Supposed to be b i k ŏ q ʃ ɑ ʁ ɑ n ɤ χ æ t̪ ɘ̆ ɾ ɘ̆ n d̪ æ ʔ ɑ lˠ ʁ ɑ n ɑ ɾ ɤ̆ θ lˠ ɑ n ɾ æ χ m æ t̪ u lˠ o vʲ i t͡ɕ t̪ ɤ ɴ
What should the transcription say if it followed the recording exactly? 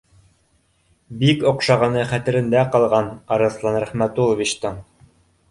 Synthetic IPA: b i k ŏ q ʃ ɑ ʁ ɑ n ɤ χ æ t̪ ɘ̆ ɾ ɘ̆ n d̪ æ q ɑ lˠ ʁ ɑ n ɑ ɾ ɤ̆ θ lˠ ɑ n ɾ æ χ m æ t̪ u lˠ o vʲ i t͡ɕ t̪ ɤ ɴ